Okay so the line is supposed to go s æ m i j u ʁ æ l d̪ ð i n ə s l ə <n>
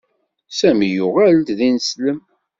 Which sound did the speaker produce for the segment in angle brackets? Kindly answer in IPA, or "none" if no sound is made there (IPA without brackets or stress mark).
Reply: m